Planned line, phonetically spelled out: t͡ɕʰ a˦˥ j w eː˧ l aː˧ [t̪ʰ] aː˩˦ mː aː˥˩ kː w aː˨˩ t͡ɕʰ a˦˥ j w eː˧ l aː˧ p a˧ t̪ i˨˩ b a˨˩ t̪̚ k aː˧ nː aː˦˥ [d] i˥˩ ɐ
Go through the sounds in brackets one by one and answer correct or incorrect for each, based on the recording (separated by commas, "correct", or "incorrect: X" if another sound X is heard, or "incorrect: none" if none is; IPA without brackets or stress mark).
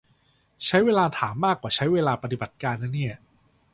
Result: correct, incorrect: n